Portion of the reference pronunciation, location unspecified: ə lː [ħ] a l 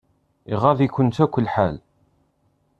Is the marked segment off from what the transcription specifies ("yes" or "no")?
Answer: no